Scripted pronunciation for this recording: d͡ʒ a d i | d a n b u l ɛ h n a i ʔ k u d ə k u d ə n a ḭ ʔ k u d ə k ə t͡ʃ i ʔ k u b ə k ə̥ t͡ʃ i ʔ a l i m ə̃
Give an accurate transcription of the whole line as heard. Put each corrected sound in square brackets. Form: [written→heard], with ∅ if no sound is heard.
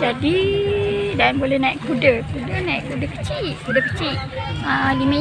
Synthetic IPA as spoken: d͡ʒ a d i | d a n b [u→o] l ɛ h n a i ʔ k u d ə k u d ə n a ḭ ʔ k u d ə k ə t͡ʃ i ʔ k u [b→d] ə k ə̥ t͡ʃ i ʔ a l i m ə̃